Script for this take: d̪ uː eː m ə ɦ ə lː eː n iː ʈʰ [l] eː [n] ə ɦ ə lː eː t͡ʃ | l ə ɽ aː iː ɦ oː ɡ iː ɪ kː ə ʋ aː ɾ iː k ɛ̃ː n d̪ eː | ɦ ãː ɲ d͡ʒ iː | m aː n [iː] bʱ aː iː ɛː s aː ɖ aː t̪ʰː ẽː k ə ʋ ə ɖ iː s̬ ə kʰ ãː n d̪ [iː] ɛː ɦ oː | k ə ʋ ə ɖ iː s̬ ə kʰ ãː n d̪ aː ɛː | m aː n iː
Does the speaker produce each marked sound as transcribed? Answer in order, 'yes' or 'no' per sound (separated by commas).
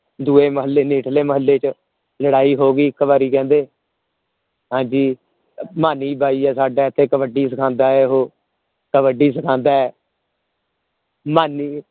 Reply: yes, no, yes, no